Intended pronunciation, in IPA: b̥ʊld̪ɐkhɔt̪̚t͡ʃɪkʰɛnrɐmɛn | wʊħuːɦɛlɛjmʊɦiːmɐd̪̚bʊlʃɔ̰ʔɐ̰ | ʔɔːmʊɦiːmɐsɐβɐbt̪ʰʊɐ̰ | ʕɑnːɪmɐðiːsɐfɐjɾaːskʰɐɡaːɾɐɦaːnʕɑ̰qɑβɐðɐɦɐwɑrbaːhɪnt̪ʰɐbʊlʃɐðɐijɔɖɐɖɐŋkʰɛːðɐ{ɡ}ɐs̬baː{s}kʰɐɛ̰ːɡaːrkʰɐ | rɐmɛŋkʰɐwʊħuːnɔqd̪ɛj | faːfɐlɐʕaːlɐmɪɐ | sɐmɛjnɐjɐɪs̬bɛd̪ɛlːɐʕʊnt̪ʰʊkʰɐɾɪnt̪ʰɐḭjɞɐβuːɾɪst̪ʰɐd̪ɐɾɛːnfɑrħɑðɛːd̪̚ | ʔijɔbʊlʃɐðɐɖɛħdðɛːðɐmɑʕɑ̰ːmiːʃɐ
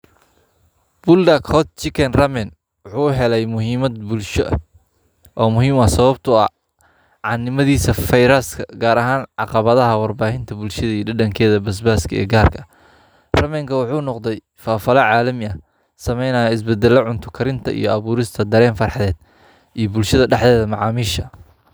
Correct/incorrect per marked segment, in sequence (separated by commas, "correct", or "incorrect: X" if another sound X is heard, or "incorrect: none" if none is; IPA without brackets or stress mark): incorrect: b, correct